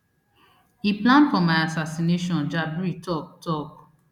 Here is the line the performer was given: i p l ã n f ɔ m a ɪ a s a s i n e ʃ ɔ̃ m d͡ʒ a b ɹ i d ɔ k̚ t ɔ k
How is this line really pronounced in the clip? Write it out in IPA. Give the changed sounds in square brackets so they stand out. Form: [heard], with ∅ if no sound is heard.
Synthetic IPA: i p l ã n f ɔ m a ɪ a s a s i n e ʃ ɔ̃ [n] d͡ʒ a b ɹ i [t] ɔ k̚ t ɔ k